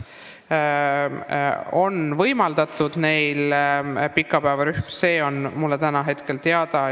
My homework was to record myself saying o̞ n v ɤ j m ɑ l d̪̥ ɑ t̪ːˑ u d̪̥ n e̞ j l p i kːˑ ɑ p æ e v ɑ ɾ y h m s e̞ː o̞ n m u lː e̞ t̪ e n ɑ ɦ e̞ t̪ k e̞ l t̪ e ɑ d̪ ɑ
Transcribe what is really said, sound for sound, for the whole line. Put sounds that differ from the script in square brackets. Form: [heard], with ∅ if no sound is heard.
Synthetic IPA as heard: o̞ n v ɤ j m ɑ l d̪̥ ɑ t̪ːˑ u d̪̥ n e̞ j l p i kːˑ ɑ p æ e v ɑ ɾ y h m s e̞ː o̞ n m u lː e̞ t̪ [æ] n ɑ ɦ e̞ t̪ k e̞ l t̪ e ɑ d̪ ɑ